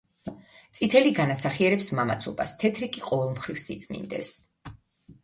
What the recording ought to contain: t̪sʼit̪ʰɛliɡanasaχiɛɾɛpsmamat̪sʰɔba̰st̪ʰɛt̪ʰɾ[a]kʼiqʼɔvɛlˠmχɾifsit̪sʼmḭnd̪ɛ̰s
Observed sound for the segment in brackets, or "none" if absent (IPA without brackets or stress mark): i